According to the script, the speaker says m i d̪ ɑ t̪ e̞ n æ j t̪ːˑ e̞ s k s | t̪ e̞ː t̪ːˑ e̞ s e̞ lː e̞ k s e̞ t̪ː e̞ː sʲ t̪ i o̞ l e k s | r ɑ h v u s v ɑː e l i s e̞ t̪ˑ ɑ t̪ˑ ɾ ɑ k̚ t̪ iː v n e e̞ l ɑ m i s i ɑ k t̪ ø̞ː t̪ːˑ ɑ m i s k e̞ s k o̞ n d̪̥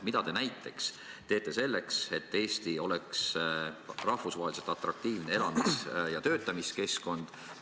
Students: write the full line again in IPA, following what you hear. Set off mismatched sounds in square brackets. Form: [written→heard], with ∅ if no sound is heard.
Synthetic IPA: m i d̪ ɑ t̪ e̞ n æ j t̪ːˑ e̞ [s→∅] k s | t̪ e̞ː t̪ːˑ e̞ s e̞ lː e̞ k s e̞ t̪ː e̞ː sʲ t̪ i o̞ l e k s | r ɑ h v u s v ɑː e l i s e̞ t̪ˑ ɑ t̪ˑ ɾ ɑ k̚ t̪ iː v n e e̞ l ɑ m i s [i→j] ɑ [k→∅] t̪ ø̞ː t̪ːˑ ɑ m i s k e̞ s k o̞ n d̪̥